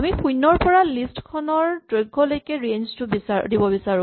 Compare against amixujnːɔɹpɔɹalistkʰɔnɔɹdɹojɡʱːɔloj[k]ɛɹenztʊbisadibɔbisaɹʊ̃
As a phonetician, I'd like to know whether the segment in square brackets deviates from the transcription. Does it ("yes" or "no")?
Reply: no